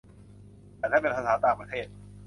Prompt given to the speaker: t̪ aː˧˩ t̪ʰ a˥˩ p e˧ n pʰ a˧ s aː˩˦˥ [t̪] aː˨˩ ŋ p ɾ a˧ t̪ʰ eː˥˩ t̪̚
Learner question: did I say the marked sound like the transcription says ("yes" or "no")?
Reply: yes